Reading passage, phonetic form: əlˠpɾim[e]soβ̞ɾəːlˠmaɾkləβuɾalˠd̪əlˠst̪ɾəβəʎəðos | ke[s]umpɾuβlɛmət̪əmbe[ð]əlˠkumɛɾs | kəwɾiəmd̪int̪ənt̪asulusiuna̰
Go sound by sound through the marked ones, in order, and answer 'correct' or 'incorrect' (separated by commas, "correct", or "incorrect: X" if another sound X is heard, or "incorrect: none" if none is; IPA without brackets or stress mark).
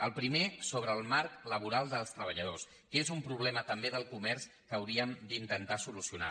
correct, incorrect: z, correct